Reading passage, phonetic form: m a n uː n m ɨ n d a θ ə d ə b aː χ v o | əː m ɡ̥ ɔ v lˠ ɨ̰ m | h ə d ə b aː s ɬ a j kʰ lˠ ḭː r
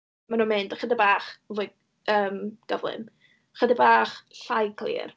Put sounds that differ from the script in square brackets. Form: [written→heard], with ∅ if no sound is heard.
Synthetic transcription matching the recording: m a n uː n m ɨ n d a [θ→χ] ə d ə b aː χ v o | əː m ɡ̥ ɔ v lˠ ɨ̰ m | [h→χ] ə d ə b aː [s→χ] ɬ a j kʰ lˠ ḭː r